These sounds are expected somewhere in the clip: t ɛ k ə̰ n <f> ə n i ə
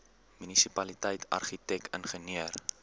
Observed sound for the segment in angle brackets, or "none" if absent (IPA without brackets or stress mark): χ